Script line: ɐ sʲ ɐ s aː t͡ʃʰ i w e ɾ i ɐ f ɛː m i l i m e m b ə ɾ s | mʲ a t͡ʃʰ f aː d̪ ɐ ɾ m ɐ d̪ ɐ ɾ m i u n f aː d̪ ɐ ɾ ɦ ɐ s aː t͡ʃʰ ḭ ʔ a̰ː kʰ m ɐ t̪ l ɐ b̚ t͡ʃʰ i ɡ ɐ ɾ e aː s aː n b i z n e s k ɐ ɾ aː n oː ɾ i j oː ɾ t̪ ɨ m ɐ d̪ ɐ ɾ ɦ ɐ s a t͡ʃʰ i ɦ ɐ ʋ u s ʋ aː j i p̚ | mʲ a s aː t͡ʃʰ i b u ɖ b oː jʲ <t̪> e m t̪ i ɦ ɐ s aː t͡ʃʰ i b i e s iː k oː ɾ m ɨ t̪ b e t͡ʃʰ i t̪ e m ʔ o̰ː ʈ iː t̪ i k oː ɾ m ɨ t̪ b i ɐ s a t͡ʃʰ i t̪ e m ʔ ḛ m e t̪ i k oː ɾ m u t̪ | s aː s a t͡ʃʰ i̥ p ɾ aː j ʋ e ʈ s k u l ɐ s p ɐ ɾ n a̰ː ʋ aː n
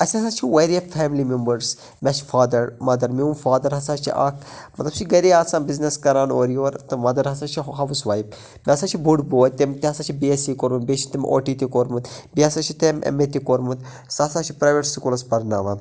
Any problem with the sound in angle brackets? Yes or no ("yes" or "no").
no